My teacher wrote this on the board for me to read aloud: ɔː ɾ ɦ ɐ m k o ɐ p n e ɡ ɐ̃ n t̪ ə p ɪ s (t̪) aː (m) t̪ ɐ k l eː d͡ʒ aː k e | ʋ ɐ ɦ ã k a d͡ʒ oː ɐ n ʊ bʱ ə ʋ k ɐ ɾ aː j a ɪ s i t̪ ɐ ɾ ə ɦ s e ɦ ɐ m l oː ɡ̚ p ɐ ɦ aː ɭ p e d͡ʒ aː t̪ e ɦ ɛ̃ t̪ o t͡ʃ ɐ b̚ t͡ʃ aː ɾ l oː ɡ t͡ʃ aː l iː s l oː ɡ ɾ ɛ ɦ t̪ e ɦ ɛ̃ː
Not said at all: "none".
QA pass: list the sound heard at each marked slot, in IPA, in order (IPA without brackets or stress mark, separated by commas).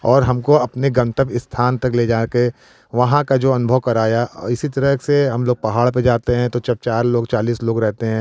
t̪ʰ, n